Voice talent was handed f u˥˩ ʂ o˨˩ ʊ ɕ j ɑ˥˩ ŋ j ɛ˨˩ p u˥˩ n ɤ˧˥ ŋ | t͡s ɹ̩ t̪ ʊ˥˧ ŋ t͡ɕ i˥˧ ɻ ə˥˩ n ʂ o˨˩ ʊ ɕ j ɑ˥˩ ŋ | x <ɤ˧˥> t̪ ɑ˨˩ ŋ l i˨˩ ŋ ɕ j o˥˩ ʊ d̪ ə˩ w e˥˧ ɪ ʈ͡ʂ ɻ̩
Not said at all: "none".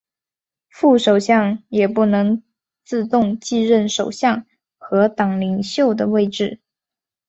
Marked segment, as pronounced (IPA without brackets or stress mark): ɤ˧˥